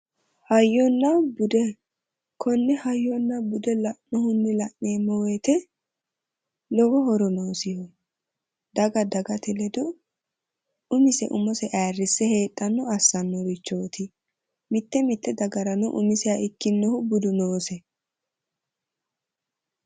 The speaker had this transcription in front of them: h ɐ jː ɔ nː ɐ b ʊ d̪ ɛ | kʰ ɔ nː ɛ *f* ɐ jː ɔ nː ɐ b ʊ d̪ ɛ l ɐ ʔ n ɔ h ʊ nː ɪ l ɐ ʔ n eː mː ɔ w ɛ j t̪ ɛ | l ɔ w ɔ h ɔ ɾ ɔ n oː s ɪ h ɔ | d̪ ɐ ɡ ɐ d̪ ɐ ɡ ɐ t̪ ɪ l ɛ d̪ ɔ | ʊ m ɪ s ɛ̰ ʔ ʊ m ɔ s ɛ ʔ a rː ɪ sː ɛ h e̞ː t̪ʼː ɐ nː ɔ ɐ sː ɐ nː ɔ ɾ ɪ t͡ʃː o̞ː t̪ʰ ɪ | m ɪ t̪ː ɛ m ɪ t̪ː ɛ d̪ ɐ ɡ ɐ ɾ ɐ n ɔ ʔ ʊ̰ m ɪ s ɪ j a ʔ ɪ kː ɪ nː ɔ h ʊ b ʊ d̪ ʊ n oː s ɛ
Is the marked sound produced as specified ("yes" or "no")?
no